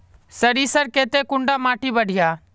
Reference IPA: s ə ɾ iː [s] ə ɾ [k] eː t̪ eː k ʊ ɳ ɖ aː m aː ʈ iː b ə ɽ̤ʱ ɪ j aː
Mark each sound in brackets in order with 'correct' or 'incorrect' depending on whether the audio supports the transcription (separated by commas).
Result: correct, correct